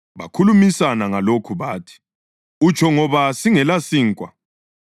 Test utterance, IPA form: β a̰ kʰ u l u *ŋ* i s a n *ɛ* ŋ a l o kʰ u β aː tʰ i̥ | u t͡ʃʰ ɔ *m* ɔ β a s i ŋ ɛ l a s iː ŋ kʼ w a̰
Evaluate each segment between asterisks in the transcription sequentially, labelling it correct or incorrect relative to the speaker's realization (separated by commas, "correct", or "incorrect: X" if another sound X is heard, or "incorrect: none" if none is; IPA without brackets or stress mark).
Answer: incorrect: m, incorrect: a, incorrect: ŋ